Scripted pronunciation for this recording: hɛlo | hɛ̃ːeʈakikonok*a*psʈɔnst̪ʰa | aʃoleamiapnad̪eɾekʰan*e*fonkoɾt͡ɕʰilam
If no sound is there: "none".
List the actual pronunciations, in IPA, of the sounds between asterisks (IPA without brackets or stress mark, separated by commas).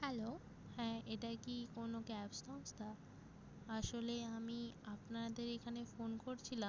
ɛ, e